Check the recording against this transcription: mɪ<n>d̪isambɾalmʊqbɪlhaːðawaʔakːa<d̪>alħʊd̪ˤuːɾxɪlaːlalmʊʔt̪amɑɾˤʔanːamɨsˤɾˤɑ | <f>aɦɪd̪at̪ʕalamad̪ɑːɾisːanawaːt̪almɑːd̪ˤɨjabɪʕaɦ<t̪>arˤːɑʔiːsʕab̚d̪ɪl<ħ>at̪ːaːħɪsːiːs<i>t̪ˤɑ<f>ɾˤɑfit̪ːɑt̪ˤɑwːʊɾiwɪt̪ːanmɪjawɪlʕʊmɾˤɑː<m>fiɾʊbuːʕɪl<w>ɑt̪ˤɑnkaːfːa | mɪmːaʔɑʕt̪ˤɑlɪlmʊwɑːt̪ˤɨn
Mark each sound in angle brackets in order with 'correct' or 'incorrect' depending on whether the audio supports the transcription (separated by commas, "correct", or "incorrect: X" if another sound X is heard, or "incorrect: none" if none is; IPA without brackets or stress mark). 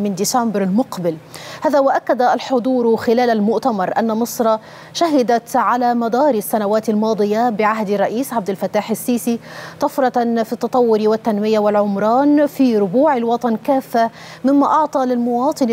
correct, correct, incorrect: ʃ, incorrect: d̪, incorrect: f, correct, correct, incorrect: n, correct